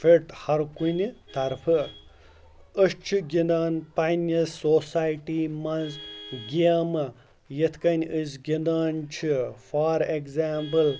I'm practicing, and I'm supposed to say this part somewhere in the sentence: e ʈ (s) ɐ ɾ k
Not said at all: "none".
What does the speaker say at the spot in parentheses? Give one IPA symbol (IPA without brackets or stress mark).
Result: h